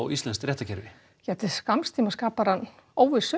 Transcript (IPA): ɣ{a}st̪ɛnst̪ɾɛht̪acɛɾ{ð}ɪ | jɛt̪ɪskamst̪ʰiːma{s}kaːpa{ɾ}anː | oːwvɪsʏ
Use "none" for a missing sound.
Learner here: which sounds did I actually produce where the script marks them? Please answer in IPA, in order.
i, v, s, ɾ

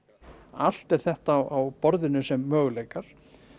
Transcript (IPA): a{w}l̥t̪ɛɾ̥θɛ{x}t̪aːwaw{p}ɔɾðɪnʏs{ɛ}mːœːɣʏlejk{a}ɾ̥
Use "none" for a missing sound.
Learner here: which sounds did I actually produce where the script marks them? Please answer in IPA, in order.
none, h, p, ɛ, a

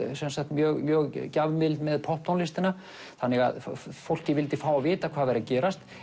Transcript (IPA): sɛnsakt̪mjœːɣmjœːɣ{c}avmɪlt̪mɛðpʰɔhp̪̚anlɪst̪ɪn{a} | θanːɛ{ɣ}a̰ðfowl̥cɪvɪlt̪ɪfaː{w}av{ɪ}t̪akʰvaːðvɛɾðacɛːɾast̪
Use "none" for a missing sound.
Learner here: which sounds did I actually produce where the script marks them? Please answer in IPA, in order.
c, a, ɣ, w, ɪː

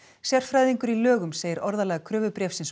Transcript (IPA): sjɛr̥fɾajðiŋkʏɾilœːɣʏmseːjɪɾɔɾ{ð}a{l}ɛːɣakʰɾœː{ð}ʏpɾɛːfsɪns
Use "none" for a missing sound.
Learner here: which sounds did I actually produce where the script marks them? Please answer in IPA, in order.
ð, l, v

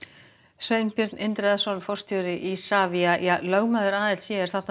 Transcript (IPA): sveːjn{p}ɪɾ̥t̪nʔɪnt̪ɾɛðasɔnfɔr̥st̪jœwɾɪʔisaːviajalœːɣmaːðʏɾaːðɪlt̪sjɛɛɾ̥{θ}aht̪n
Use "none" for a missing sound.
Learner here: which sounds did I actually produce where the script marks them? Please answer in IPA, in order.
p, θ

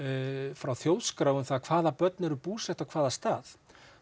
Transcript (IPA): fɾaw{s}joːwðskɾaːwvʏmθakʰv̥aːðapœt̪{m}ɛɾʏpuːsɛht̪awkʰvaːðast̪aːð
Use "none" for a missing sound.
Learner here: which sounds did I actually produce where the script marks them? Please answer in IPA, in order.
θ, n

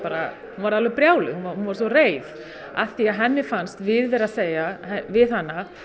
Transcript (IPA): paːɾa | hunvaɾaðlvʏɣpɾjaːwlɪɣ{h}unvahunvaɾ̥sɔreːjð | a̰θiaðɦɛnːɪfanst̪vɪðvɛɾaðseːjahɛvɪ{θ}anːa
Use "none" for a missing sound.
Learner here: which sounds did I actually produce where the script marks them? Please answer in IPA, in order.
h, ð

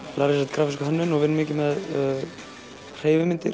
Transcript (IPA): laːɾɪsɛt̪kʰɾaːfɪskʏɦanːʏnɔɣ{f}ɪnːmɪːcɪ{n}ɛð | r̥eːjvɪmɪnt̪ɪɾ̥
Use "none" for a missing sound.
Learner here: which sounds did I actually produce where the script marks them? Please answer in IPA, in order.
v, m

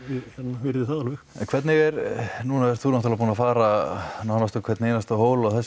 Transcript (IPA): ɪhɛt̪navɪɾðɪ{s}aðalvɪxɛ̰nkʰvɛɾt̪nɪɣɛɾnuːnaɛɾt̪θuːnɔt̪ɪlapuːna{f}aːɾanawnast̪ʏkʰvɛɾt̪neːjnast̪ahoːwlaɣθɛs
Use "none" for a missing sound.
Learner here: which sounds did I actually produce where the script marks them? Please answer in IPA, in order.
θ, f

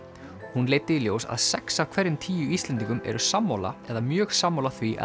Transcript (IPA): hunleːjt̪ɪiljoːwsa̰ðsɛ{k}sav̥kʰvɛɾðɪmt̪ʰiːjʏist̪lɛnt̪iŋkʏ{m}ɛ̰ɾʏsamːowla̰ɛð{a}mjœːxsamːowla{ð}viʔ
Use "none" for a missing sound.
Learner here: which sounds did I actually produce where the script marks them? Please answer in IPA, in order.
k, m, a, θ

